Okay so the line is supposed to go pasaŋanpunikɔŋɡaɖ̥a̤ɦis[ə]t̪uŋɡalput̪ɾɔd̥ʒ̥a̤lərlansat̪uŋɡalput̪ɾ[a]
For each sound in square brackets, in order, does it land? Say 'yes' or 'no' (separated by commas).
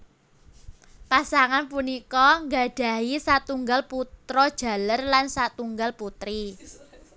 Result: no, no